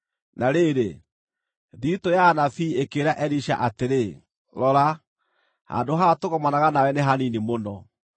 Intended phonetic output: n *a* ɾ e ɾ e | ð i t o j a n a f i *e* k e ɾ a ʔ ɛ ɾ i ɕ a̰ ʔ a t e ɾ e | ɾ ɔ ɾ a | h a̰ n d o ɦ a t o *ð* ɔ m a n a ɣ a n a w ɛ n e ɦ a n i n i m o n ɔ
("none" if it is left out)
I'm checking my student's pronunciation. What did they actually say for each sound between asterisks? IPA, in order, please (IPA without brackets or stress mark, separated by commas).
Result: a, e, ɣ